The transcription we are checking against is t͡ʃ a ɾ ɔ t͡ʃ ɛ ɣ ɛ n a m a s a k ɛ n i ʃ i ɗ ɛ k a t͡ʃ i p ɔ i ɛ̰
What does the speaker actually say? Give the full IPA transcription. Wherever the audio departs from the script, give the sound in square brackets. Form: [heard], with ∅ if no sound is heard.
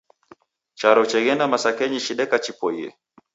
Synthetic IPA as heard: t͡ʃ a ɾ ɔ t͡ʃ ɛ ɣ ɛ n a m a s a k ɛ [ɲ] i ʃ i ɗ ɛ k a t͡ʃ i p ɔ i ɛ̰